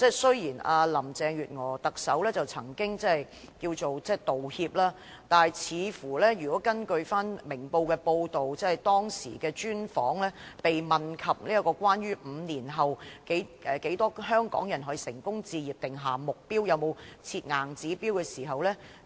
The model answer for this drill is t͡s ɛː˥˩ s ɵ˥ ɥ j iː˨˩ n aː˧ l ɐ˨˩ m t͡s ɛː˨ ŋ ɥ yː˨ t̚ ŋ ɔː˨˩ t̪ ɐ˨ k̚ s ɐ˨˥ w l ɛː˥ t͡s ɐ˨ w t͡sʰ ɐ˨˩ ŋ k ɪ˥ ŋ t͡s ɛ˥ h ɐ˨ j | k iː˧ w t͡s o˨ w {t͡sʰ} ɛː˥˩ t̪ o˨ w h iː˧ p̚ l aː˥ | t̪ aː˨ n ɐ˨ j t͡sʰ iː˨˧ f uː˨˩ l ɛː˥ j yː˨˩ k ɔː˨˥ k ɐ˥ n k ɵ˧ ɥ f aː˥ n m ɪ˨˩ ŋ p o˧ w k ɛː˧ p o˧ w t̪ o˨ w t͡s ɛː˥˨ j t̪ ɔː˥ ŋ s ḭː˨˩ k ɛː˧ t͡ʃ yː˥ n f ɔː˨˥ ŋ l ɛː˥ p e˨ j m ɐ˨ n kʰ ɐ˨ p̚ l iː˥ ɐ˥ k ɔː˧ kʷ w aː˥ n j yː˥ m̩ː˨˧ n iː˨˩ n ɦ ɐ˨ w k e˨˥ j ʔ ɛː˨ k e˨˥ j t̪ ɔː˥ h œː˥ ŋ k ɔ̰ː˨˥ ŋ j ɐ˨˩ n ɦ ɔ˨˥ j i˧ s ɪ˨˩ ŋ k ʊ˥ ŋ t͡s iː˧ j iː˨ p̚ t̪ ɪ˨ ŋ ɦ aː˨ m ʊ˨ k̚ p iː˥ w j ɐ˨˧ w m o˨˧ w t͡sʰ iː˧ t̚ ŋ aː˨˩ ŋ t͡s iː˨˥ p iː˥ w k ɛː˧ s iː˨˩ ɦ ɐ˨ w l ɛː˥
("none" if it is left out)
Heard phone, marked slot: t͡s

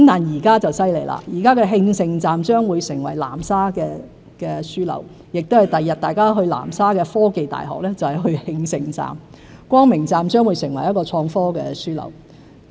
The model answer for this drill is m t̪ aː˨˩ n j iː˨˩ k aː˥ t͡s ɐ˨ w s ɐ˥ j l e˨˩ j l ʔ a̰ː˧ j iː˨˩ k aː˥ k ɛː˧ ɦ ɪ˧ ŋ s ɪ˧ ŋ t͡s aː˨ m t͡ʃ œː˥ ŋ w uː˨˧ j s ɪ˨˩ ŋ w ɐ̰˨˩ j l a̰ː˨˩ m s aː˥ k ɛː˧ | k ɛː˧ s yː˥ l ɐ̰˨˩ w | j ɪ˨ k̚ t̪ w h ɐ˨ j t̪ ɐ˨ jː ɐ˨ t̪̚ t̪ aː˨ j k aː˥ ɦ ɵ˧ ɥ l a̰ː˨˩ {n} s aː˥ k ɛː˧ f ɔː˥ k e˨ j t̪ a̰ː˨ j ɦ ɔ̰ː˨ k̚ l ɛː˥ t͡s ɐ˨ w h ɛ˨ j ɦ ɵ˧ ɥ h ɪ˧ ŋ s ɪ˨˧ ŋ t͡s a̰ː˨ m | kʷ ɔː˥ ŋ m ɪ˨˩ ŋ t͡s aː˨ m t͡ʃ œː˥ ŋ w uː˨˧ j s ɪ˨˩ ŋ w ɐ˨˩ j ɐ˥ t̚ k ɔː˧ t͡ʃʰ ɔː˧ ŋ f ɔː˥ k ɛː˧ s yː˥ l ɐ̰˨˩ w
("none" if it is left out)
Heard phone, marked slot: m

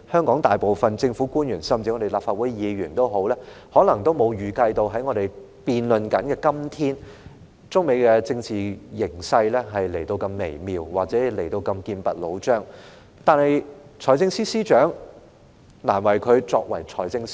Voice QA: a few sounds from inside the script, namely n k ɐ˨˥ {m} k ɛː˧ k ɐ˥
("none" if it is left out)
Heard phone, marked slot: n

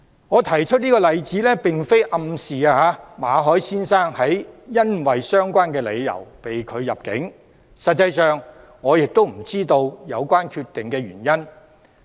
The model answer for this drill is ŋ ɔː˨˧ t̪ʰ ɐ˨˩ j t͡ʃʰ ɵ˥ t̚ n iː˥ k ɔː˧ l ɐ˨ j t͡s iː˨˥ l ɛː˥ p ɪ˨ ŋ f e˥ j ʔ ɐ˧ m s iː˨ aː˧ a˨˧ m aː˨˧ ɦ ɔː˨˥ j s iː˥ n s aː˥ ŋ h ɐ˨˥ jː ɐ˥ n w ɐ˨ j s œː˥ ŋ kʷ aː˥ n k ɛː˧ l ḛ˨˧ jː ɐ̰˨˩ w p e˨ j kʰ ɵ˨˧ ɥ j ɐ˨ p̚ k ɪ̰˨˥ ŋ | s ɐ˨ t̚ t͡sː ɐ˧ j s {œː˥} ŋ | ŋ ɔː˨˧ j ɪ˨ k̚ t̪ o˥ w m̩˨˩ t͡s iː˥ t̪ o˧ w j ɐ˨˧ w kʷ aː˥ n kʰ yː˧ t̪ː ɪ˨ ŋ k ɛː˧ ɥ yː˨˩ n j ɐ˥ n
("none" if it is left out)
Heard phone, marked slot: œː˨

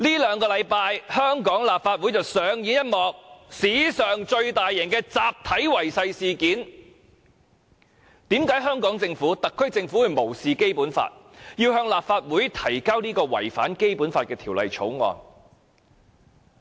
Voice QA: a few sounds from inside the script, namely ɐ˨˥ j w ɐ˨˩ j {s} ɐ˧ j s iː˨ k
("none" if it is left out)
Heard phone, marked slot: s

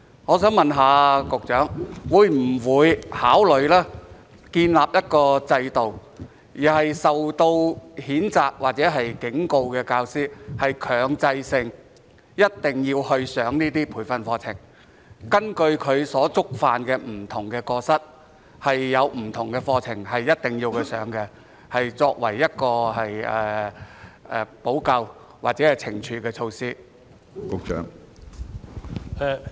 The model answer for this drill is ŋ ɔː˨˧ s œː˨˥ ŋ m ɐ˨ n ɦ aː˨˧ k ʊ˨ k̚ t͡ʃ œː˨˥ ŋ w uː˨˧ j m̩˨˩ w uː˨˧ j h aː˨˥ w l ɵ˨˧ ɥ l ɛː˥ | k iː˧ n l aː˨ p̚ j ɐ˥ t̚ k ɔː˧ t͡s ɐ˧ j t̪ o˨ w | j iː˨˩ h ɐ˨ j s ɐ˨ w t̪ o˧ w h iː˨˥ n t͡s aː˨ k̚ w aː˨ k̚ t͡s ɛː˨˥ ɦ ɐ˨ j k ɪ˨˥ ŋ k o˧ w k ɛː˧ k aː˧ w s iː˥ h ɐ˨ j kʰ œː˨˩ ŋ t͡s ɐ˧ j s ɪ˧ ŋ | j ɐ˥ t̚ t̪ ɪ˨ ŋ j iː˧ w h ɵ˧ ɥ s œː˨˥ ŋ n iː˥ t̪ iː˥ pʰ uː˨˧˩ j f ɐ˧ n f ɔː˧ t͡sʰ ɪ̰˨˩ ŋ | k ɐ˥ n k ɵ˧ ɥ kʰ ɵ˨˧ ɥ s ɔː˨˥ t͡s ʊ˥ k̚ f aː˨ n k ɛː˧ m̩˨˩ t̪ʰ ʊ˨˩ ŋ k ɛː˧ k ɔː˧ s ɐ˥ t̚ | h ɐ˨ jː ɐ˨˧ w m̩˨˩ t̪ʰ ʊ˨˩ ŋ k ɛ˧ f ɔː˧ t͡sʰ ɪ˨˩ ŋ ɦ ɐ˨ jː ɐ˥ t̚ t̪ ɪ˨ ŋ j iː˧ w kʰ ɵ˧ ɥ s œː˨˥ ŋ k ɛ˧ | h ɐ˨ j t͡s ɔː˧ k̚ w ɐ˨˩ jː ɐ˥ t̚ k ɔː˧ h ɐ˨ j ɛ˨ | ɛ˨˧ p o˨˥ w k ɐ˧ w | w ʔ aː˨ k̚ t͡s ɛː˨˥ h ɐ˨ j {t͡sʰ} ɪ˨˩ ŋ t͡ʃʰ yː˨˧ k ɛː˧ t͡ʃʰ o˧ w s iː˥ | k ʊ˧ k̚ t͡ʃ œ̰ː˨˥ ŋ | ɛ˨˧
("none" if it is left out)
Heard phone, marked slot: t͡sʰ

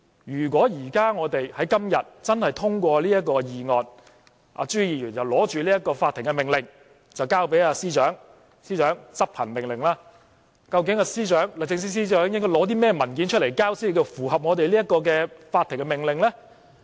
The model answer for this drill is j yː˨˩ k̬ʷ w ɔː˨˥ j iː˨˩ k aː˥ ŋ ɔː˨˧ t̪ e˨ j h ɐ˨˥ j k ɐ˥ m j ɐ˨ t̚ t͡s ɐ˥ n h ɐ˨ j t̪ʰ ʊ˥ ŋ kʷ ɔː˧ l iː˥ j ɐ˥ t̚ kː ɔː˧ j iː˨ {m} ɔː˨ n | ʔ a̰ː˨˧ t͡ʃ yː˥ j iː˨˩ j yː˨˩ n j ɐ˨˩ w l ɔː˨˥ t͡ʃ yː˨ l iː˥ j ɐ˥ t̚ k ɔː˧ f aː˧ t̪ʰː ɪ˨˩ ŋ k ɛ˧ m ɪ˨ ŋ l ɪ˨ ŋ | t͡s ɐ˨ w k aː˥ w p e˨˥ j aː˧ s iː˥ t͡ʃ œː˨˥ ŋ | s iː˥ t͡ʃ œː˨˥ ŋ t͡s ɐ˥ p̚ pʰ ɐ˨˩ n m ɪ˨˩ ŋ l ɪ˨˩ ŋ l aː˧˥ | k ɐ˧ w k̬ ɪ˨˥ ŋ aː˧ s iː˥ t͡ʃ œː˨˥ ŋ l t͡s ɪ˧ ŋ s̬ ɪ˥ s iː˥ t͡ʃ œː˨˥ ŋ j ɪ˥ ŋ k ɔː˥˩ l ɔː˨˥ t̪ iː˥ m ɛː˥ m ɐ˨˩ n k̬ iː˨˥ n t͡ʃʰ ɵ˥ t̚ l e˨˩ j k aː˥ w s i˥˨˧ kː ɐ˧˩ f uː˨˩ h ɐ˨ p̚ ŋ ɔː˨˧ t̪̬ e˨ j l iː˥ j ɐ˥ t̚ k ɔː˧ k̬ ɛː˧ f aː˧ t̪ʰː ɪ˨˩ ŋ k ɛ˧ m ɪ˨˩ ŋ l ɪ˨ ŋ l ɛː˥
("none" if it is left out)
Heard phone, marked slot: ŋ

